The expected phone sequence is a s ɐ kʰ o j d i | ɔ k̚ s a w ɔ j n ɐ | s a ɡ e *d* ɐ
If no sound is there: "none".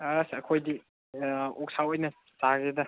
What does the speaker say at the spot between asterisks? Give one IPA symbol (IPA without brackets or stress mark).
d